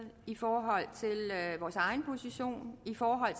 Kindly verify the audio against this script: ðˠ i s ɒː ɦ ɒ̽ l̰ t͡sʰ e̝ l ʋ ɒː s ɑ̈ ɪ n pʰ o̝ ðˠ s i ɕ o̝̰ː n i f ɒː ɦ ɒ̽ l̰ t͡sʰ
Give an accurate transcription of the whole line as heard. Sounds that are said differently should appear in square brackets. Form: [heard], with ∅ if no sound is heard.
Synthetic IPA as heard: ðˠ i [f] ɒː ɦ ɒ̽ l̰ t͡sʰ e̝ l ʋ ɒː s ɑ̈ ɪ n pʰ o̝ [∅] s i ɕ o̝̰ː n i f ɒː ɦ ɒ̽ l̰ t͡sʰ

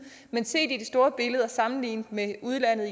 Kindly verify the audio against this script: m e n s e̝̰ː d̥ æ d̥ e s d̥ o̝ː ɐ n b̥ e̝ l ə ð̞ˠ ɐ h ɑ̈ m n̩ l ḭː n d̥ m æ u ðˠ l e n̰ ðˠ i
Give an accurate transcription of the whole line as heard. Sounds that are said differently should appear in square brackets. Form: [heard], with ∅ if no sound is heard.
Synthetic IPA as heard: m e n s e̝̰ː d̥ [i] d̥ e s d̥ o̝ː ɐ [∅] b̥ e̝ l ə ð̞ˠ ɐ [s] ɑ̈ m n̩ l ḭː n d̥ m [e] u ðˠ l [æ] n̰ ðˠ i

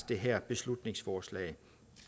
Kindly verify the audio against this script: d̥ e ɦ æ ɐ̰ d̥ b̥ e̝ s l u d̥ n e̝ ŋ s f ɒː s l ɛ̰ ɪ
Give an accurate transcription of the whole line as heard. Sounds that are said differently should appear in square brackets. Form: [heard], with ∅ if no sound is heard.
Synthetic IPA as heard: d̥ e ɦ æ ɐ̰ [∅] b̥ e̝ s l u d̥ n e̝ ŋ s f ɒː s l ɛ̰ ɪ

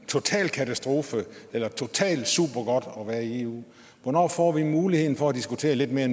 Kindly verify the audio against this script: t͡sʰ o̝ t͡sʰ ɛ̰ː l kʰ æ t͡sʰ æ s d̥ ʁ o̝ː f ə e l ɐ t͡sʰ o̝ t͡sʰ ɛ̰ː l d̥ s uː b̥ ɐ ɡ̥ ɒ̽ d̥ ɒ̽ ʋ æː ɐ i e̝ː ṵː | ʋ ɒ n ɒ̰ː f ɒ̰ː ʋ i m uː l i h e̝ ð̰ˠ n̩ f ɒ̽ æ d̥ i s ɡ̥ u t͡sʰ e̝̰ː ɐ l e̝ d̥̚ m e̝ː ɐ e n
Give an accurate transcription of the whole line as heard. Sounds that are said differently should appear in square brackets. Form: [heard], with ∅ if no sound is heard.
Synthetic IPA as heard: t͡sʰ o̝ t͡sʰ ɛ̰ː l kʰ æ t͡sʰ æ s d̥ ʁ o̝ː f ə e l ɐ t͡sʰ o̝ t͡sʰ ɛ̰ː l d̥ s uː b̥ ɐ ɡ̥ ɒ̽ d̥ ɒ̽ ʋ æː ɐ i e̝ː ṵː | ʋ ɒ n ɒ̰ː f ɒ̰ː ʋ i m uː l i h e̝ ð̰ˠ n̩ f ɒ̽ æ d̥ i s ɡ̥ u t͡sʰ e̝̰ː ɐ l e̝ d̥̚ m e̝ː ɐ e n

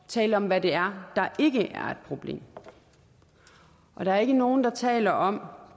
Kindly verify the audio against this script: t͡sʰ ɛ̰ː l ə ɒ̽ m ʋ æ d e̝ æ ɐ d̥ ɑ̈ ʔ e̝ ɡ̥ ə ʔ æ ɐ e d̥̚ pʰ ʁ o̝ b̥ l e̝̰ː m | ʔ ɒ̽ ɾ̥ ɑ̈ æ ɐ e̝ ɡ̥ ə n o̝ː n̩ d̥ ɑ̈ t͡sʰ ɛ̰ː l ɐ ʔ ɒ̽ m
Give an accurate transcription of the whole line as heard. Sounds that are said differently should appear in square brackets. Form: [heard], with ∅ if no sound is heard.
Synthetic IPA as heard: t͡sʰ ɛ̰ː l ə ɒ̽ m ʋ æ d e̝ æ ɐ d̥ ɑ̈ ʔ e̝ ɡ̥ ə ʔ æ ɐ e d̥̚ pʰ ʁ o̝ b̥ l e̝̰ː m | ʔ ɒ̽ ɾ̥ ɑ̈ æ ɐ e̝ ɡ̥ ə n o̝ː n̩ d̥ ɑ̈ t͡sʰ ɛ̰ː l ɐ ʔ ɒ̽ m

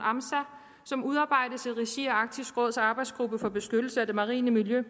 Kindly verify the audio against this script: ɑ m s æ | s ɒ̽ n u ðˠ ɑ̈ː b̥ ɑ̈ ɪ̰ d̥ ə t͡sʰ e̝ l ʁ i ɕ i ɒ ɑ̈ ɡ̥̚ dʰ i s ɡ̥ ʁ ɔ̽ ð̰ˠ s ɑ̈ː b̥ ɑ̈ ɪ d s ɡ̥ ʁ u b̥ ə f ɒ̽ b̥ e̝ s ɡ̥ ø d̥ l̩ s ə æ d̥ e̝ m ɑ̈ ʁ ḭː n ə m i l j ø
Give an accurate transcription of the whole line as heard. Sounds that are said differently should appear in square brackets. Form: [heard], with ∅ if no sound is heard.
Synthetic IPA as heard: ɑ m s æ | s ɒ̽ [m] u ðˠ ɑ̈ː b̥ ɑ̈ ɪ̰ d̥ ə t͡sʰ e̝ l ʁ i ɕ i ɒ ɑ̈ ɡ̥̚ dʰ i s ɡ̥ ʁ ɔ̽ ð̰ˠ s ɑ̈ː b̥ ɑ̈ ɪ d s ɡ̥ ʁ u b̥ ə f ɒ̽ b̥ e̝ s ɡ̥ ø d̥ l̩ s ə æ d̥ e̝ m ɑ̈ ʁ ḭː n ə m i l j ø

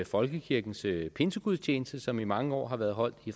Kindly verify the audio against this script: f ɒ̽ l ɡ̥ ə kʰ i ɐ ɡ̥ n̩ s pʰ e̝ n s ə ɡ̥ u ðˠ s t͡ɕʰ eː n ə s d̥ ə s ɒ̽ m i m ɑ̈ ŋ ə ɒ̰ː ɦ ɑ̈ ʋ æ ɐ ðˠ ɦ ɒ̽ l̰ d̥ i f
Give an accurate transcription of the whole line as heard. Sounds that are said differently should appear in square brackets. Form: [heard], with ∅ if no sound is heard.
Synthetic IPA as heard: f ɒ̽ l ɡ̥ ə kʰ i ɐ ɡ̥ n̩ s pʰ e̝ n s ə ɡ̥ u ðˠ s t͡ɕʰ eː n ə s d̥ ə s ɒ̽ m i m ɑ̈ ŋ ə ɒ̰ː ɦ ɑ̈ ʋ æ ɐ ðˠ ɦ ɒ̽ l̰ d̥ i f

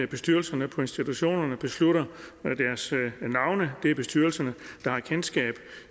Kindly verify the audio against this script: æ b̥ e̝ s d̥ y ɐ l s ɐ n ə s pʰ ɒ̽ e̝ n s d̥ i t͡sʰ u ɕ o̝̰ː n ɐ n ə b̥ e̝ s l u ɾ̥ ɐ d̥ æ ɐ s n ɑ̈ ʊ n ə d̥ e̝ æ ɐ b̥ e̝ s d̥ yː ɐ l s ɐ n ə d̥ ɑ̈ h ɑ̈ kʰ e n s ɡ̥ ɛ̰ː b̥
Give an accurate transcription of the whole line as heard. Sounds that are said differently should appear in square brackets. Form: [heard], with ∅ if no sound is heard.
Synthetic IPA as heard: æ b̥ e̝ s d̥ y ɐ l s ɐ n ə [∅] pʰ ɒ̽ e̝ n s d̥ i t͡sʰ u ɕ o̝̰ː n ɐ n ə b̥ e̝ s l u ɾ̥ ɐ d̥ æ ɐ s n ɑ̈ ʊ n ə d̥ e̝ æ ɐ b̥ e̝ s d̥ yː ɐ l s ɐ n ə d̥ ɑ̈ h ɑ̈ kʰ e n s ɡ̥ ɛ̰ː b̥

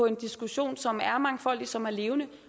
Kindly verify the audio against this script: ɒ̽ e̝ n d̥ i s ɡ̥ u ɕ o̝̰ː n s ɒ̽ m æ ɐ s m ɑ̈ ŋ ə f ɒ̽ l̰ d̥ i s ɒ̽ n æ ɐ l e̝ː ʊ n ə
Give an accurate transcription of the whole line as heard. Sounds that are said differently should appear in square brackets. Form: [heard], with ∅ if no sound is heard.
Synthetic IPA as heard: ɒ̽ e̝ n d̥ i s ɡ̥ u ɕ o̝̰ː n s ɒ̽ m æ ɐ [∅] m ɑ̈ ŋ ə f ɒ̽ l̰ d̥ i s ɒ̽ [m] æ ɐ l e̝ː ʊ n ə

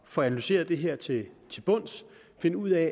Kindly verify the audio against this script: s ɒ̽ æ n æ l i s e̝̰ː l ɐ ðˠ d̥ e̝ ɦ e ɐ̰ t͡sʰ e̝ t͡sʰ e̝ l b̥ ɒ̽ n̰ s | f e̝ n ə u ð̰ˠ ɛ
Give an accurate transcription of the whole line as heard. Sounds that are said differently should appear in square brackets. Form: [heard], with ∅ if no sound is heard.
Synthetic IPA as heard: [f] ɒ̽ æ n æ l [y] s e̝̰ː [∅] ɐ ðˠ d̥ e̝ ɦ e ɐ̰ t͡sʰ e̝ t͡sʰ e̝ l b̥ [ɔ̽] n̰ s | f e̝ n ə u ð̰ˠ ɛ

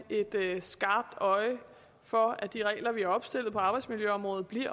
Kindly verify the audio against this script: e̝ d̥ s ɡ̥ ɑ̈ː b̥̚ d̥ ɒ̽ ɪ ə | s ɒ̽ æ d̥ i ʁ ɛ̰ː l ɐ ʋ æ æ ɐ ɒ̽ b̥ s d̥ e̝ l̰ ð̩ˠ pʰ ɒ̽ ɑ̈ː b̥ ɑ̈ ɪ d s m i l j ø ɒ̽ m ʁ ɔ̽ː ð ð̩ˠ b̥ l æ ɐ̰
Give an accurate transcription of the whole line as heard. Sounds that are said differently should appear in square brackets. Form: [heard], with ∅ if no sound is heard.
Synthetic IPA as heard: e̝ d̥ s ɡ̥ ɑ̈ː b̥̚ d̥ ɒ̽ ɪ ə | [f] ɒ̽ æ d̥ i ʁ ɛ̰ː l ɐ ʋ [i] æ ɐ ɒ̽ b̥ s d̥ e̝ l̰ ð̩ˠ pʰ ɒ̽ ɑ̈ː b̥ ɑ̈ ɪ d s m i l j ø ɒ̽ m ʁ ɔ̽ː ð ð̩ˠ b̥ l [i] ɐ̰

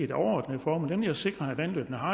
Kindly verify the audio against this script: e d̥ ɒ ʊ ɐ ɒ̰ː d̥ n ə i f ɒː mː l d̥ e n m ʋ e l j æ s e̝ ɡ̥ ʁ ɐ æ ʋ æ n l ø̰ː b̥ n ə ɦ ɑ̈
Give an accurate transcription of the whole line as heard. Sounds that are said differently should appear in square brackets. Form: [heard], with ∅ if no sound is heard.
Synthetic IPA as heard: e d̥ ɒ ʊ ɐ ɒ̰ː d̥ n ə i f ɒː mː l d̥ e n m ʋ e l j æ s e̝ ɡ̥ ʁ ɐ æ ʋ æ n l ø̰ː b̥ n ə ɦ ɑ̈

